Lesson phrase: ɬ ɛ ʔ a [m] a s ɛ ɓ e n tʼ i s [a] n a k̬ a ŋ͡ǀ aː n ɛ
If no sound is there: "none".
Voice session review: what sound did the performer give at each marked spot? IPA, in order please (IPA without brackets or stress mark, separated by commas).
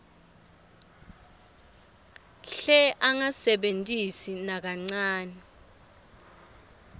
ŋ, i